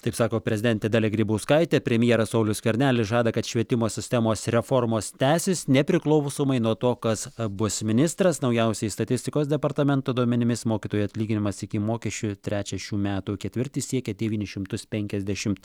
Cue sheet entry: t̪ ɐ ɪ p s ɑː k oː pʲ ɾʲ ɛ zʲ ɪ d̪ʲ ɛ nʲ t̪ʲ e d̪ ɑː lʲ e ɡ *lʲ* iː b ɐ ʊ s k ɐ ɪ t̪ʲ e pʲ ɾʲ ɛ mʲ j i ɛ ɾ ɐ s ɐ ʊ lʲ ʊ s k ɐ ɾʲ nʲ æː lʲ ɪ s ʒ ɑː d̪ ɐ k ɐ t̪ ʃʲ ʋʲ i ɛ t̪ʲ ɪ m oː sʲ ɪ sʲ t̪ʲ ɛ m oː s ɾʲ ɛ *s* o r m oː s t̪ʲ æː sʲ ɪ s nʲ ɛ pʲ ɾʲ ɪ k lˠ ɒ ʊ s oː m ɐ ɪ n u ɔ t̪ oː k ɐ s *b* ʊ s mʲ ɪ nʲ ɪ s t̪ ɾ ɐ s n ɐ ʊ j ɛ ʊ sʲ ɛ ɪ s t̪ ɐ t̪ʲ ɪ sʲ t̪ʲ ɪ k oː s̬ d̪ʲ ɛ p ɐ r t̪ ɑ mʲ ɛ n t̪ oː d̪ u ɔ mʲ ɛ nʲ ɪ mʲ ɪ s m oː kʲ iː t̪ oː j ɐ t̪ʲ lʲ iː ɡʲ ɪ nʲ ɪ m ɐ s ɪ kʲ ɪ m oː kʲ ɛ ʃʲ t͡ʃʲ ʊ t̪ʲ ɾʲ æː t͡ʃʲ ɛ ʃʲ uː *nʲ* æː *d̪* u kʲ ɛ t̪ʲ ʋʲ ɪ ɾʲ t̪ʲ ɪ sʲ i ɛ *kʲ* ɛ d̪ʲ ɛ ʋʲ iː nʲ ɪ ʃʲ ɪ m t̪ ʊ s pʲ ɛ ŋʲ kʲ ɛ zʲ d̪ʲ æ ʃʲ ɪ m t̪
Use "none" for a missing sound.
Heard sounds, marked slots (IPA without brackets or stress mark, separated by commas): ɾʲ, f, b, mʲ, t̪, kʲ